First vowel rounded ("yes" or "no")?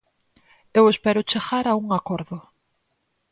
no